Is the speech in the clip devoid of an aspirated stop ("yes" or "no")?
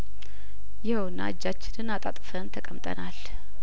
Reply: no